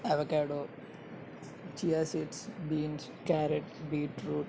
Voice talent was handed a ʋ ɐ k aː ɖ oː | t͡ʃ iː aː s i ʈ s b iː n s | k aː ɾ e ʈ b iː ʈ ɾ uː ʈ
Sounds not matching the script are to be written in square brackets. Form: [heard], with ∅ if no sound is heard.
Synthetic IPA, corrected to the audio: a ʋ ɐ k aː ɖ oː | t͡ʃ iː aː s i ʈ s b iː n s | k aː ɾ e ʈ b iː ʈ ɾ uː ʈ

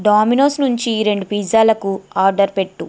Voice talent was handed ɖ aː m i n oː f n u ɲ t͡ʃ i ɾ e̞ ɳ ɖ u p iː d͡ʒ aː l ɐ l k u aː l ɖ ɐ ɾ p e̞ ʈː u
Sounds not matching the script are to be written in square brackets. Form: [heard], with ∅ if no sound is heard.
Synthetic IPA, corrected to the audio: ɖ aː m i n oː [s] n u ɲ t͡ʃ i ɾ e̞ ɳ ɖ u p iː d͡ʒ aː l ɐ [∅] k u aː [ɾ] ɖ ɐ ɾ p e̞ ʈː u

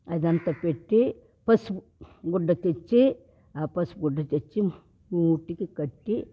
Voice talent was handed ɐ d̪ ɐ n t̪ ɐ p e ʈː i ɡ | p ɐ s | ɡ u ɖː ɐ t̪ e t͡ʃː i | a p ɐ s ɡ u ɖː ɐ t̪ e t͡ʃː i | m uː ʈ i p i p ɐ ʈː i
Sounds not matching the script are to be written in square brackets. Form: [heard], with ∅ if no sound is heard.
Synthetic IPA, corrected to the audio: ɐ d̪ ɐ n t̪ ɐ p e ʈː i [∅] | p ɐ s | ɡ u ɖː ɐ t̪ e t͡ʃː i | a p ɐ s ɡ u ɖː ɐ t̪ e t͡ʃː i | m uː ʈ i [k] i [k] ɐ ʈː i

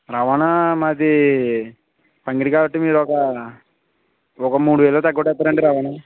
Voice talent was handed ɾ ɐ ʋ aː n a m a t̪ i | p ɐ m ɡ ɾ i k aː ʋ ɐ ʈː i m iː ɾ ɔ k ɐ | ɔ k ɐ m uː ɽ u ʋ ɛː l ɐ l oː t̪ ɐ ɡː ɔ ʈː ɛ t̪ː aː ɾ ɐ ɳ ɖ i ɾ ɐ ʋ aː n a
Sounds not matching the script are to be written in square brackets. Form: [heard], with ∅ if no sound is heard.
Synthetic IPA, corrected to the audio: ɾ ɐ ʋ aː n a m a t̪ i | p ɐ [ŋ] ɡ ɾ i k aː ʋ ɐ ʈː i m iː ɾ ɔ k ɐ | ɔ k ɐ m uː ɽ u ʋ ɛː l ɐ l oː t̪ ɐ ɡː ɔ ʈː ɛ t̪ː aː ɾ ɐ ɳ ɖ i ɾ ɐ ʋ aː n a

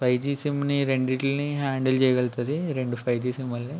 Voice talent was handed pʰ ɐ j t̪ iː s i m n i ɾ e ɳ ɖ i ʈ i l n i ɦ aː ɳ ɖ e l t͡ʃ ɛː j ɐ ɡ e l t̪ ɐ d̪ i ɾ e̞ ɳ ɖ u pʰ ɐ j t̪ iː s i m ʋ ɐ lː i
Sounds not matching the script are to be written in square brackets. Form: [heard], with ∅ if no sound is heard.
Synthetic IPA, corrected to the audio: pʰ ɐ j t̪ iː s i m n i ɾ e ɳ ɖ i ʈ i l n i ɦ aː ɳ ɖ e l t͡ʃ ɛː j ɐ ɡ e l t̪ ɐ d̪ i ɾ e̞ ɳ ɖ u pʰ ɐ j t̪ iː s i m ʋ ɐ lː i

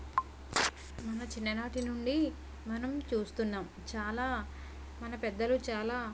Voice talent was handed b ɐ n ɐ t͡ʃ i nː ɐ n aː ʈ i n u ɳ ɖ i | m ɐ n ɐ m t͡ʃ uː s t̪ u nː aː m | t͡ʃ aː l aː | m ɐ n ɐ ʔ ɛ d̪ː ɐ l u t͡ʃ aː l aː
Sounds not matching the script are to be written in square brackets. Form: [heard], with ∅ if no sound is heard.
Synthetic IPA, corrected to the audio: [m] ɐ n ɐ t͡ʃ i nː ɐ n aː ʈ i n u ɳ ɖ i | m ɐ n ɐ m t͡ʃ uː s t̪ u nː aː m | t͡ʃ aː l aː | m ɐ n ɐ [p] ɛ d̪ː ɐ l u t͡ʃ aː l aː

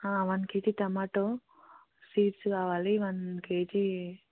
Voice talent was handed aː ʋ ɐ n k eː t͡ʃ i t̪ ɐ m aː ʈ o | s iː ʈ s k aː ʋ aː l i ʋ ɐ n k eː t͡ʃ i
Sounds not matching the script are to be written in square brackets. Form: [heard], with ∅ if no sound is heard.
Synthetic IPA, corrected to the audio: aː ʋ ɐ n k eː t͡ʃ i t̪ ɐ m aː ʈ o | s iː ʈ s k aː ʋ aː l i ʋ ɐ n k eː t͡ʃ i

